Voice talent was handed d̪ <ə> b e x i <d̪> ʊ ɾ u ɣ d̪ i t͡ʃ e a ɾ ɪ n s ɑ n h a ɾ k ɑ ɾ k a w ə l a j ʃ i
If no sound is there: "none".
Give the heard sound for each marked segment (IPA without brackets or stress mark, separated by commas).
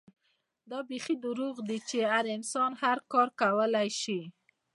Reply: ɑ, d̪